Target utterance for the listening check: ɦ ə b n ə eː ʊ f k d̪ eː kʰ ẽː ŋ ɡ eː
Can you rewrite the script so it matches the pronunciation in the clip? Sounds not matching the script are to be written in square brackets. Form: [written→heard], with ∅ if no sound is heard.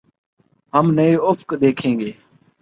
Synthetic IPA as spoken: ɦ ə [b→m] n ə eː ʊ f k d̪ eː kʰ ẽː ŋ ɡ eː